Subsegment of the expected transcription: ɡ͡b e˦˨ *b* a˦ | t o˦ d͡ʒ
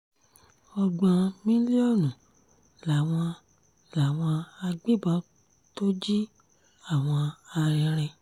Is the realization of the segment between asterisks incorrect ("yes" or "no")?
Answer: no